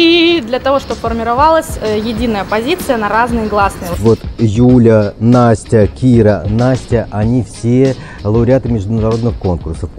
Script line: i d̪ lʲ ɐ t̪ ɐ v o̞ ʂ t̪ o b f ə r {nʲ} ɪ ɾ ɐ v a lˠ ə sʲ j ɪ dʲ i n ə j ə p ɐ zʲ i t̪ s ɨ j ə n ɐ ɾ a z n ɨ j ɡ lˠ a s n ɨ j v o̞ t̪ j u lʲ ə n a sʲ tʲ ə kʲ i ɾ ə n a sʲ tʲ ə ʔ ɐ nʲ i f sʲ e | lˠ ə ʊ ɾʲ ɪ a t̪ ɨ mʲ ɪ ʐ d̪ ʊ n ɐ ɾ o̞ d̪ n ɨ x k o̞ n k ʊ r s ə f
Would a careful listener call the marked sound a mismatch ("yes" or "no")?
yes